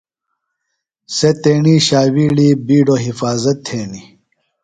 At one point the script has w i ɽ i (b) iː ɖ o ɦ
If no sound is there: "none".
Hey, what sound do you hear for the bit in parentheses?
b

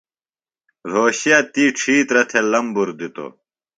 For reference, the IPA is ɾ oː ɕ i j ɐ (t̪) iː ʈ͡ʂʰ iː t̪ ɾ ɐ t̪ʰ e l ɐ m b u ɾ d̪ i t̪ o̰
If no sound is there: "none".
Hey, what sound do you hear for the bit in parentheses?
t̪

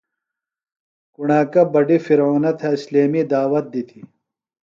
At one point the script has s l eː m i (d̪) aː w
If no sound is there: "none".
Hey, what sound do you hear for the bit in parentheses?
d̪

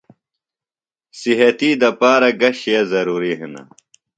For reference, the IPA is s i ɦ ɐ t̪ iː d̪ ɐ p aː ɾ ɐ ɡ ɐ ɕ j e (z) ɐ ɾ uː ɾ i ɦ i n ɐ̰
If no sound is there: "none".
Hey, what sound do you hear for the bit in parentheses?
z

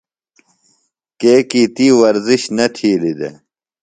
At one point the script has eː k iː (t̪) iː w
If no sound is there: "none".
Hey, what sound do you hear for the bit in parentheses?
t̪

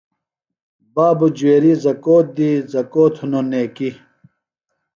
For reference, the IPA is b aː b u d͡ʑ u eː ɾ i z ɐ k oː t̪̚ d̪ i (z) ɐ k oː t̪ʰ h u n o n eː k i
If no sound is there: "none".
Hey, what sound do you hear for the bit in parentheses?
z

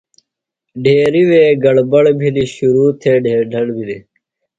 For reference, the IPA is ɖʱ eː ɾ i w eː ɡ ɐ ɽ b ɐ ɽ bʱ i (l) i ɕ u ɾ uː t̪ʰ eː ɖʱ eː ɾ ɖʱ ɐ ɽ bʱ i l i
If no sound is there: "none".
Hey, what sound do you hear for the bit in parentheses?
l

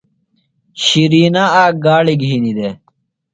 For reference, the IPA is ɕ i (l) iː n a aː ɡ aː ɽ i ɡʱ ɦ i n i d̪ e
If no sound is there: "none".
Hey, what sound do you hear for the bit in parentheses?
ɾ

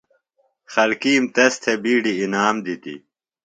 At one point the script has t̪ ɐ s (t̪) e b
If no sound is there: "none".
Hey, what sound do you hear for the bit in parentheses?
t̪ʰ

